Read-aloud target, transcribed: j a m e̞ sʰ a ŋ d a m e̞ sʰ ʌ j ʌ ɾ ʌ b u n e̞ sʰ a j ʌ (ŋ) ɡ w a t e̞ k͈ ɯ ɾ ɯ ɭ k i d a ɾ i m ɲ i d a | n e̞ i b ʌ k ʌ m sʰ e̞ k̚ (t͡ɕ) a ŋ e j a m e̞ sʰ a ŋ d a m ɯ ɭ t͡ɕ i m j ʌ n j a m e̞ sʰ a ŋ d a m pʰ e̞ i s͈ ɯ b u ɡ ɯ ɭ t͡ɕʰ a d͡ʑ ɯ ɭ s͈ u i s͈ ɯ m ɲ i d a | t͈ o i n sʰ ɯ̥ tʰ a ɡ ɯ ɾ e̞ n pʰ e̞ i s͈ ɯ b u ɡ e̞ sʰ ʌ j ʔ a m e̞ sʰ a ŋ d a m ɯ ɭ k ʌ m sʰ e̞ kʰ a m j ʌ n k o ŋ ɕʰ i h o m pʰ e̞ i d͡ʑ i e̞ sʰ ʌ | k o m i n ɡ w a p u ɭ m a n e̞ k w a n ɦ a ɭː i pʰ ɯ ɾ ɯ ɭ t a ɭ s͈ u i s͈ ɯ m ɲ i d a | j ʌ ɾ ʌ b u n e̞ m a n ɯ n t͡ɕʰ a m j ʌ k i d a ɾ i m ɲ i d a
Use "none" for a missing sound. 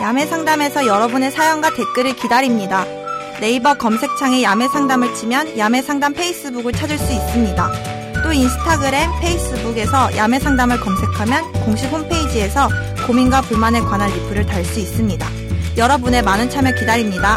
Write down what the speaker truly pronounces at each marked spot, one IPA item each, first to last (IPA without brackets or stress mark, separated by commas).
ŋ, t͡ɕʰ